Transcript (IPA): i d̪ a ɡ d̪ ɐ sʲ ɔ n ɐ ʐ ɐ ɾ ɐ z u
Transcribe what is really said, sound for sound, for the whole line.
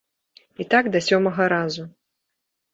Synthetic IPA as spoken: i t̪ a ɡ d̪ ɐ sʲ ɔ m ɐ ɣ ɐ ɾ a z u